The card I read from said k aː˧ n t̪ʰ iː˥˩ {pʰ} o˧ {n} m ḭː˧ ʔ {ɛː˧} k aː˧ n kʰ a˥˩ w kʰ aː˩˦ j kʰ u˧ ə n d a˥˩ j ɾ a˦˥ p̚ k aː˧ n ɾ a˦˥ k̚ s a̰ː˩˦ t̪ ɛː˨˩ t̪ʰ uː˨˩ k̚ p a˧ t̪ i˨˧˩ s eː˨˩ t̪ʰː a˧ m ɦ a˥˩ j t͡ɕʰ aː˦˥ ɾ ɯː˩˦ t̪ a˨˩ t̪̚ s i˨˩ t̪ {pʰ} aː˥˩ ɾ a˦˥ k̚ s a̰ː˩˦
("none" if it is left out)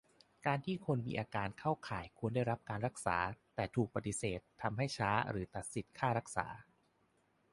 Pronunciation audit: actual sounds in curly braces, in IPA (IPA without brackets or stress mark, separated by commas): kʰ, n, aː˧, kʰ